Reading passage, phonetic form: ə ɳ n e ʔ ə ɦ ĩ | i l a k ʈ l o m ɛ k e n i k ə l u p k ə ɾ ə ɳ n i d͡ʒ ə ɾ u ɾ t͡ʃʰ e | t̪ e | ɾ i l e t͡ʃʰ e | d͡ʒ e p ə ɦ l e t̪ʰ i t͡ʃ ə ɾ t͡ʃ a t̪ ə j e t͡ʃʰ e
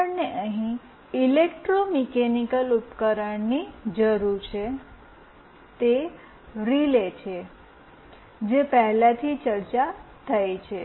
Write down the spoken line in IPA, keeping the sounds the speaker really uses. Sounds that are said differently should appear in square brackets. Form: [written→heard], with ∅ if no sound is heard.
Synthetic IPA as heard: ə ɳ n e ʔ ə ɦ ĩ | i l [a→e] k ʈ [l→ɾ] o m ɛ k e n i k ə l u p k ə ɾ ə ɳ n i d͡ʒ ə ɾ u ɾ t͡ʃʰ e | t̪ e | ɾ i l e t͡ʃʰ e | d͡ʒ e p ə ɦ l [e→a] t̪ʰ i t͡ʃ ə ɾ t͡ʃ a [t̪→t̪ʰ] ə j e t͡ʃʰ e